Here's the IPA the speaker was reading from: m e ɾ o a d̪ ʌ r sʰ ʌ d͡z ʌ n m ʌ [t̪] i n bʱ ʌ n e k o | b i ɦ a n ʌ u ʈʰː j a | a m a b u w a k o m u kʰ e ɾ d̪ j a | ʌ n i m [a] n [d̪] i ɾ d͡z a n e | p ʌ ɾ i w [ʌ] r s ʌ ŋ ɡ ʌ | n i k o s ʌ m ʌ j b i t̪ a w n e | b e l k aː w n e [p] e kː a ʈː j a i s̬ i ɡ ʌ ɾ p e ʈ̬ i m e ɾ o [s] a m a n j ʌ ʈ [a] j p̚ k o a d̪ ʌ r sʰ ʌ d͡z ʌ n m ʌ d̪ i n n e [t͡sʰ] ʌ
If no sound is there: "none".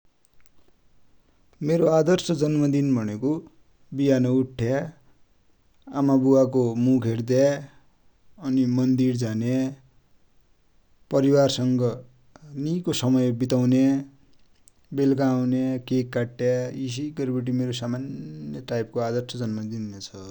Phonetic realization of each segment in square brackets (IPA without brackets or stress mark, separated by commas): d̪, ʌ, d̪, a, k, s, a, t͡sʰ